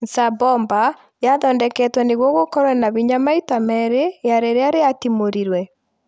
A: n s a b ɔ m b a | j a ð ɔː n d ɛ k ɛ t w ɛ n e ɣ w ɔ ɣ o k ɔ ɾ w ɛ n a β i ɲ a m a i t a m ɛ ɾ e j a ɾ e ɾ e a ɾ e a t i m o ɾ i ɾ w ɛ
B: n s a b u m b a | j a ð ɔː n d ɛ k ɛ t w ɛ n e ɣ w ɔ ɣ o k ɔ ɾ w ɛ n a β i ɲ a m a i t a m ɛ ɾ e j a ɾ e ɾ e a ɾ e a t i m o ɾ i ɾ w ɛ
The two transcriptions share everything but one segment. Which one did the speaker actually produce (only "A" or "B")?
A